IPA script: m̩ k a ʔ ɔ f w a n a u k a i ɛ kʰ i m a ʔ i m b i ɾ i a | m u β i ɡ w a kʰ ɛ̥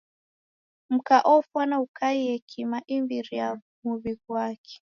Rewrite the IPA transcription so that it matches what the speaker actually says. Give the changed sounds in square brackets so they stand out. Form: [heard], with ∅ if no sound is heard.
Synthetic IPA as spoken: m̩ k a ʔ ɔ f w a n a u k a i ɛ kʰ i m a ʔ i m b i ɾ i a | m u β i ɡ w a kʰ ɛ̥